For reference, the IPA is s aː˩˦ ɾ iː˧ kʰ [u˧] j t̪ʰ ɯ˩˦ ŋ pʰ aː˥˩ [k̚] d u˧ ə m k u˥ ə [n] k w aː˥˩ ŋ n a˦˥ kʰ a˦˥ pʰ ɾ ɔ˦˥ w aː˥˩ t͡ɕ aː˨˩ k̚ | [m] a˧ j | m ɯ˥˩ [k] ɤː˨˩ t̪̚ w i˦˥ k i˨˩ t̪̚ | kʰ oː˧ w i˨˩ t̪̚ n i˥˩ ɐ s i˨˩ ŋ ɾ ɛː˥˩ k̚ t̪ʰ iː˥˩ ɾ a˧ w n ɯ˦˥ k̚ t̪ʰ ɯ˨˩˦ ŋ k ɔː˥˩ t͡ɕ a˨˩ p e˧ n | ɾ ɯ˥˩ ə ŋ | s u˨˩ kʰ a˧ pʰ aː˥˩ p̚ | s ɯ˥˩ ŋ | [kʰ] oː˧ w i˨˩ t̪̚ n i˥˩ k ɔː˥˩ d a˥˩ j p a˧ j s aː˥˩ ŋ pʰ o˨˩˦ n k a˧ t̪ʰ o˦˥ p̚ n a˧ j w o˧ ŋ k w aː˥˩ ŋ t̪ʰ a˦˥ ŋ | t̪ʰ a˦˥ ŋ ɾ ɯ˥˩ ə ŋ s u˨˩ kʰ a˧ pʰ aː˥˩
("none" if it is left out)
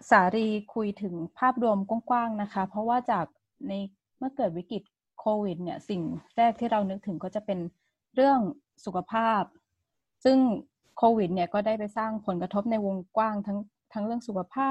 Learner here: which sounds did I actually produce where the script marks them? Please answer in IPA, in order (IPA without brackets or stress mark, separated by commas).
u˧, p̚, ŋ, n, k, kʰ